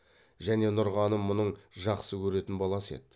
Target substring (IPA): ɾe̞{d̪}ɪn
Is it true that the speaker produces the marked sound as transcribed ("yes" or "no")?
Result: no